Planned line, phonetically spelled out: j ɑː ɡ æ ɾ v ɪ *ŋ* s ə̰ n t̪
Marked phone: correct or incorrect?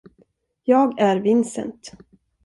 incorrect